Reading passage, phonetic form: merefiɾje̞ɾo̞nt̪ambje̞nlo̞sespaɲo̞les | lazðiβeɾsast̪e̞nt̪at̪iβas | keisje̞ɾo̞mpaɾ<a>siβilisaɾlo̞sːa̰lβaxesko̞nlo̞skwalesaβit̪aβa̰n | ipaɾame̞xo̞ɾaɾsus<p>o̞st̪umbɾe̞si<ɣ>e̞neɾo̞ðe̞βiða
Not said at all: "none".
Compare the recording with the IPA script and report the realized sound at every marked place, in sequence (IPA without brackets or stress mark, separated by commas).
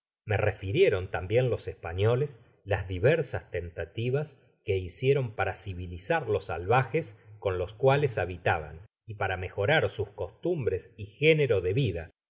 a, k, x